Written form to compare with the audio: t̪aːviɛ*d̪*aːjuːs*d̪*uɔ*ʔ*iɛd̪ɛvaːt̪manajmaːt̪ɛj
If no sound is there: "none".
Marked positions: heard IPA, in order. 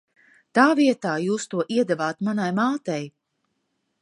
t̪, t̪, ʔ

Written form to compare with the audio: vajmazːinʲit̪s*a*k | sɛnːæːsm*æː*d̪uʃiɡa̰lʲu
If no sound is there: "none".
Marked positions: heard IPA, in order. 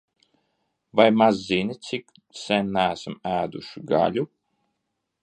i, æː

